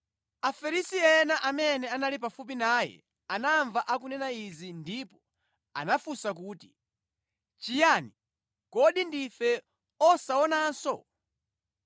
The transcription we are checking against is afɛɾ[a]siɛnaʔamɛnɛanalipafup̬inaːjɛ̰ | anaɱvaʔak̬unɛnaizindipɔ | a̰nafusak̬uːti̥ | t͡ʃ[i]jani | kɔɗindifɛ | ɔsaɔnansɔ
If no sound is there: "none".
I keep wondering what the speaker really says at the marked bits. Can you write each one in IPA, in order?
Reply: i, i

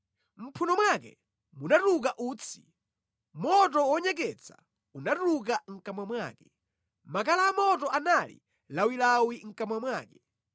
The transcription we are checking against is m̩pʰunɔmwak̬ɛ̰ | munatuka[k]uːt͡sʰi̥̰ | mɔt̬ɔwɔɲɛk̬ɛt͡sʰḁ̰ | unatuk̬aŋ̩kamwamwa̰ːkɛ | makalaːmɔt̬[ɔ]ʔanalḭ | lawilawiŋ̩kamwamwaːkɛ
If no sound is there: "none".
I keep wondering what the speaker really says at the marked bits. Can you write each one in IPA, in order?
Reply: ʔ, ɔ

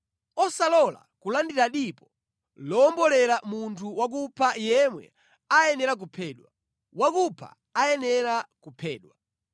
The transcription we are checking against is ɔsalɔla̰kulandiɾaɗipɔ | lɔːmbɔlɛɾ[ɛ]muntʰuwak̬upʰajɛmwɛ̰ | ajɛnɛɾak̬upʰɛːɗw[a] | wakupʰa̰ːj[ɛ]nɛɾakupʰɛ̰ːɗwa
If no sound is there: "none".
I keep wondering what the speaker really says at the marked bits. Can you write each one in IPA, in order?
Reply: a, a, ɛ

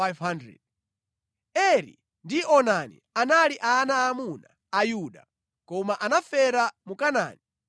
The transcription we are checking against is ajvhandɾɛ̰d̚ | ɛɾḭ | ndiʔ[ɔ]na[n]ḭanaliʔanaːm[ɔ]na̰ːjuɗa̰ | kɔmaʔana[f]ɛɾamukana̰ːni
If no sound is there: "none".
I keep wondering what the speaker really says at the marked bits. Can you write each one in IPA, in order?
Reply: ɔ, n, u, f

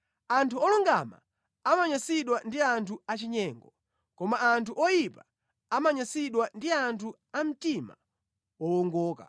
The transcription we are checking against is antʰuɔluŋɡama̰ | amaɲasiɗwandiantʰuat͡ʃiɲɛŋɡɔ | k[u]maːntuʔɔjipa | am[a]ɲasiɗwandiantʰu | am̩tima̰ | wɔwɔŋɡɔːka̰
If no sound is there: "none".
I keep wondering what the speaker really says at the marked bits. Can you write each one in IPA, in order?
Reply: ɔ, a

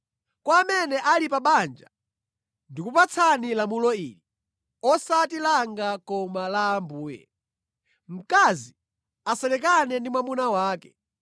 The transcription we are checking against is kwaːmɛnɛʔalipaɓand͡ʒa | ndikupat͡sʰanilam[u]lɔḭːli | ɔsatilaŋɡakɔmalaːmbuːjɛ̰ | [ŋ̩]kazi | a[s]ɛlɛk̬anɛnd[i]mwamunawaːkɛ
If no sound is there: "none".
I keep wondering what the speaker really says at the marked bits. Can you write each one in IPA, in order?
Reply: u, m̩, s, i

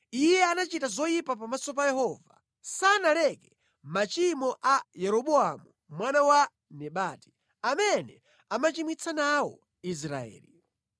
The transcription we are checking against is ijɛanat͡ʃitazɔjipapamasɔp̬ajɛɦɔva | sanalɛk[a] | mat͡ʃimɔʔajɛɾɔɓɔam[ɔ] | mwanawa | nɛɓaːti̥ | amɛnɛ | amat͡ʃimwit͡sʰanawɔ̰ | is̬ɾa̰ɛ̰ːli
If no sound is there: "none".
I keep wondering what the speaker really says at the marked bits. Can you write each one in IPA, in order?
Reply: ɛ, u

